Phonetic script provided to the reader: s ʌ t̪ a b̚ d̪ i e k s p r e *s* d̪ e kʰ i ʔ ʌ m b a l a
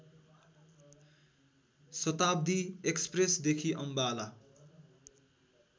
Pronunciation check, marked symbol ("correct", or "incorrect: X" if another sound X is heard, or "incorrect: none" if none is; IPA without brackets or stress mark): correct